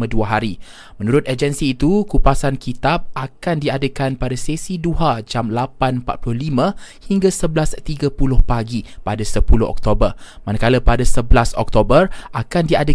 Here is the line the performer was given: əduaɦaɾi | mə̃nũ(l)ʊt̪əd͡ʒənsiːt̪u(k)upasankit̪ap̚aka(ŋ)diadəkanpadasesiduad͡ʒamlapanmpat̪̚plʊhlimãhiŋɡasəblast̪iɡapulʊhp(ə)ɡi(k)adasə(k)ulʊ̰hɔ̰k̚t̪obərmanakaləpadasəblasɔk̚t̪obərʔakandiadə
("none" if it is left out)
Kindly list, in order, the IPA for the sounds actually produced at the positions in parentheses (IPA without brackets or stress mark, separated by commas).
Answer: ɾ, k, n, a, p, p